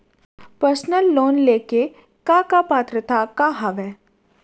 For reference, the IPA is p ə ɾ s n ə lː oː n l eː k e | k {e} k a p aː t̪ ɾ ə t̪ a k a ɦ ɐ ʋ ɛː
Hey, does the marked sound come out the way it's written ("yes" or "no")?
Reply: no